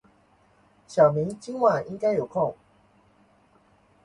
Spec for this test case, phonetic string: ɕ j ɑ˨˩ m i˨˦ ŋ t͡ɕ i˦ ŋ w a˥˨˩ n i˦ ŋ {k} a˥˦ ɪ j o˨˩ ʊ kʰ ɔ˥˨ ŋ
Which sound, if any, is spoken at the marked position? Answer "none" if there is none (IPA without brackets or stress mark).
k